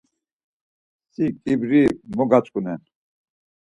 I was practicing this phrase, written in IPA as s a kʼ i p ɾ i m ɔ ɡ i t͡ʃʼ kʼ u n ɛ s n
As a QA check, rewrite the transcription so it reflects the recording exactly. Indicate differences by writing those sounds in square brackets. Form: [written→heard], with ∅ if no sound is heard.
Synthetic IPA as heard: s [a→i] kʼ i [p→b] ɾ i m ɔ ɡ [i→a] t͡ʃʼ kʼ u n ɛ [s→∅] n